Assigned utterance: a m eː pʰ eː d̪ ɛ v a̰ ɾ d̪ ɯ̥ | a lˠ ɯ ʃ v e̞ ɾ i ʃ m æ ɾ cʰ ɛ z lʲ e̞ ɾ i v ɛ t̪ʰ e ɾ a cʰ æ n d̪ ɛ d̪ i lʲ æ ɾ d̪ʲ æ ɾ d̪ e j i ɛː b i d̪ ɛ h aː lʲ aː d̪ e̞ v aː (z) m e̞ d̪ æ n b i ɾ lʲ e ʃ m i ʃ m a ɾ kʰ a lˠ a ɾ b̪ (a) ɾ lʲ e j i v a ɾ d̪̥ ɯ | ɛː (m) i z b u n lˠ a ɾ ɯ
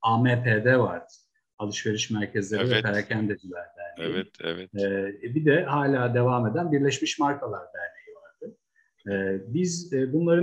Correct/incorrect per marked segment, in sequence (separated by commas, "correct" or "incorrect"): incorrect, incorrect, incorrect